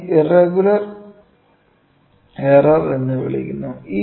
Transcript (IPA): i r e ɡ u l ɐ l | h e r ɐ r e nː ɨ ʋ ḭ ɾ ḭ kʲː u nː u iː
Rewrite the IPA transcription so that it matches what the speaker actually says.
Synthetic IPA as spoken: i r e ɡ u l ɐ r | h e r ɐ r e nː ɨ ʋ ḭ ɭ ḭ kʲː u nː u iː